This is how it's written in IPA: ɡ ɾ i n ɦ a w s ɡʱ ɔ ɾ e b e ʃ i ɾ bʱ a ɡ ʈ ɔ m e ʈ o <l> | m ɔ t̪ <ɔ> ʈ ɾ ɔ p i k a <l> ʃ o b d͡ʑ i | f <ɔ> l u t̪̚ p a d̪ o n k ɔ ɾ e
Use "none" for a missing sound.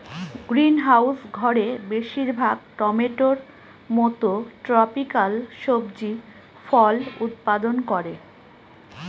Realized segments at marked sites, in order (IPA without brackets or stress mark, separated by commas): ɾ, o, l, ɔ